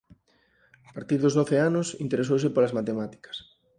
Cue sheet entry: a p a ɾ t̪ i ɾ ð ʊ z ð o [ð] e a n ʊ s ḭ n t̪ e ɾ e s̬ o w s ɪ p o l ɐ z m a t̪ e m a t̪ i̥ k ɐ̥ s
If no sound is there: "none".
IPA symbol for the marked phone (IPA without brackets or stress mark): θ